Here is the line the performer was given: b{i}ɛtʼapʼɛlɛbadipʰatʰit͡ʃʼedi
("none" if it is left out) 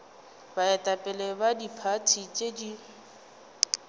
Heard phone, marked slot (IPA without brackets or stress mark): a